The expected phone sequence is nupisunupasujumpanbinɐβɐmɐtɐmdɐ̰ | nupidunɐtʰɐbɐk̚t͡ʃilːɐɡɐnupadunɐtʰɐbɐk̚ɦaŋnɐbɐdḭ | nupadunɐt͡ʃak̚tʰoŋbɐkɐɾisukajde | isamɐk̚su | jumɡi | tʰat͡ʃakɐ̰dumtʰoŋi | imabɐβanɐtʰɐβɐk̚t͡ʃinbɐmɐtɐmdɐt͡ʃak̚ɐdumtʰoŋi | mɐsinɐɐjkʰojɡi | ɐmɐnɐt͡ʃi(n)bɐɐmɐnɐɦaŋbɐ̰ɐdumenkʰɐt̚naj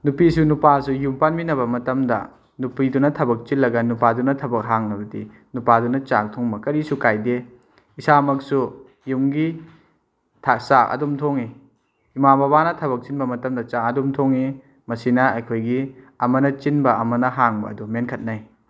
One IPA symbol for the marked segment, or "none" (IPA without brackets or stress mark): n